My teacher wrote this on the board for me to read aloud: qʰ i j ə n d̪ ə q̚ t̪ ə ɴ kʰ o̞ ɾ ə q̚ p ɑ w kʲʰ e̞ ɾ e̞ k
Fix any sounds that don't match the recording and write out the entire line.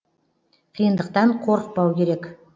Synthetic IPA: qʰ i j ə n d̪ ə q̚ t̪ ɑ ɴ qʰ o̞ ɾ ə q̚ p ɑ w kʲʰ e̞ ɾ e̞ k